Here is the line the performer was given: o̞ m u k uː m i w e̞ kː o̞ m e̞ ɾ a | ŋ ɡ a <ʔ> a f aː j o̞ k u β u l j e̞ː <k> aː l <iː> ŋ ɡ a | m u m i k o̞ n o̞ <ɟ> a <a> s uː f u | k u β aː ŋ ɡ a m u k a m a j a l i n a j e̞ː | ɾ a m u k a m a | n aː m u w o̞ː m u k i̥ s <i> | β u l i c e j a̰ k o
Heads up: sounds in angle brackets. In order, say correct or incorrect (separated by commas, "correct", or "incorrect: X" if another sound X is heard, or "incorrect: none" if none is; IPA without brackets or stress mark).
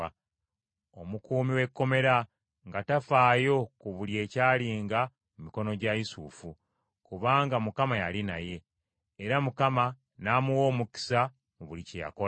incorrect: t, incorrect: c, correct, correct, incorrect: i, incorrect: a